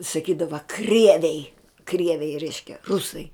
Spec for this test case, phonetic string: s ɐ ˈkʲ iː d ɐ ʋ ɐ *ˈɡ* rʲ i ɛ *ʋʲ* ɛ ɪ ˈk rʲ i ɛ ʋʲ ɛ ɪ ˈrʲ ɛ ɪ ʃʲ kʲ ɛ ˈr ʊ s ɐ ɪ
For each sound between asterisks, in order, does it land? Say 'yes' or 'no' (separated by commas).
no, yes